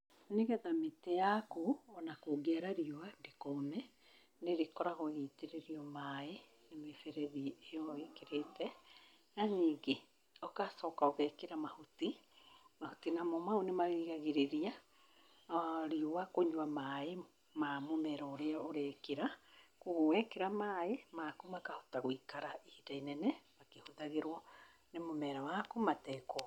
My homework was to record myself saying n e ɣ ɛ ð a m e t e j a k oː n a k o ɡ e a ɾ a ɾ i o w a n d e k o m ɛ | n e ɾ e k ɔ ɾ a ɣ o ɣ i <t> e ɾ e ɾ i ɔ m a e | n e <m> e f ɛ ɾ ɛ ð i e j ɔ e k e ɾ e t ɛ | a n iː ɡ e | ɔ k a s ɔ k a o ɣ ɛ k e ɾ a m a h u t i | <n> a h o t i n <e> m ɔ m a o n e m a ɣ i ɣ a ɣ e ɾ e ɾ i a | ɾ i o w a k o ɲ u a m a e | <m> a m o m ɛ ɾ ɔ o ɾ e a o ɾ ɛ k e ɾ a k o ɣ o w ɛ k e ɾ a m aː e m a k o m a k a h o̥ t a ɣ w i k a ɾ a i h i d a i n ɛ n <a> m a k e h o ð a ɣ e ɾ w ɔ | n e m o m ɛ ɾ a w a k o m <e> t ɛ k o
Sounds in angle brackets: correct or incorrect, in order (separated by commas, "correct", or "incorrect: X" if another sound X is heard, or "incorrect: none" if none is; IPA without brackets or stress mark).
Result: correct, correct, incorrect: m, incorrect: a, correct, incorrect: ɛ, incorrect: a